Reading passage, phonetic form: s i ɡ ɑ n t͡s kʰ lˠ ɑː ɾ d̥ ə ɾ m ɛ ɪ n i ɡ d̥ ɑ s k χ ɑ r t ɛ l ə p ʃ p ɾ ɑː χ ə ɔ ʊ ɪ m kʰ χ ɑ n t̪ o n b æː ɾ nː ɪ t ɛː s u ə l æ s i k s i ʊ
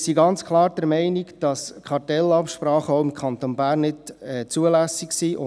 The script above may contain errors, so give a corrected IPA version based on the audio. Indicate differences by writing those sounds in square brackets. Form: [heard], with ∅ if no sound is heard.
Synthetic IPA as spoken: s i ɡ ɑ n t͡s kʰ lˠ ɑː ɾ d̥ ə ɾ m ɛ ɪ n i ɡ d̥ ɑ s k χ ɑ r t ɛ l [ɑ] p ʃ p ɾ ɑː χ ə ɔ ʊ ɪ m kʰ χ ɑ n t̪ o n b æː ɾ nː ɪ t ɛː [t͡s] u ə l æ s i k s i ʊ